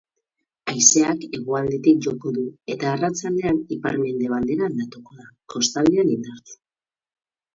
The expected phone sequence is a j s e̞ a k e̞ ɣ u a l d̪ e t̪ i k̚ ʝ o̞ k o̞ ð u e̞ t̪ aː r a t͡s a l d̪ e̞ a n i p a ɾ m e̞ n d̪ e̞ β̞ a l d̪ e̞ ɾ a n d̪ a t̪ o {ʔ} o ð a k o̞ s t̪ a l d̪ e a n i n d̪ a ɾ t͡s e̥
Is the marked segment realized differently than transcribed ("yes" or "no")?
yes